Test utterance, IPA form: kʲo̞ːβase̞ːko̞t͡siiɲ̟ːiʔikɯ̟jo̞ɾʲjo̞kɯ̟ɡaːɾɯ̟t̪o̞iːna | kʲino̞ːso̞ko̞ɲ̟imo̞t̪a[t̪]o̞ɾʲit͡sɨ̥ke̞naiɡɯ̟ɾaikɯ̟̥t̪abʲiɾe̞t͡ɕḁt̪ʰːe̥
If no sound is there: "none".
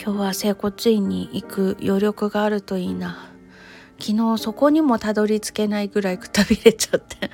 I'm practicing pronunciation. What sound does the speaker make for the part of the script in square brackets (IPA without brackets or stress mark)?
d̪